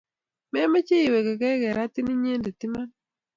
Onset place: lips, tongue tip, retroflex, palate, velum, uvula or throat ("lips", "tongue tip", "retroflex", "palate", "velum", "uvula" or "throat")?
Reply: lips